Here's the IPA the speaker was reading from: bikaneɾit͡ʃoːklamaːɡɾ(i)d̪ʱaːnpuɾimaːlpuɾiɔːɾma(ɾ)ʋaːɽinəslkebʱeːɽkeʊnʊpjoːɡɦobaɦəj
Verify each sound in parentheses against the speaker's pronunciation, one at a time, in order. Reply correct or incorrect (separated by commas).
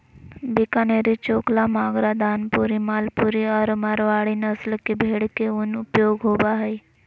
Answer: incorrect, correct